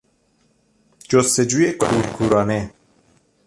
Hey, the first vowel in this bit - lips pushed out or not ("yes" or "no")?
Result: yes